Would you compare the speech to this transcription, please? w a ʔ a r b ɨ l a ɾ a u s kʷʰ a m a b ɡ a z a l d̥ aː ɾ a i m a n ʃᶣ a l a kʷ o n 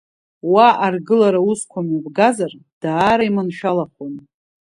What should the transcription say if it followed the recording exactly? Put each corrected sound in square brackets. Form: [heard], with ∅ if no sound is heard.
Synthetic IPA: w a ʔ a r [ɡ] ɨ l a ɾ a u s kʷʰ a m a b ɡ a z a [r] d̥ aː ɾ a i m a n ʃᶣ a l a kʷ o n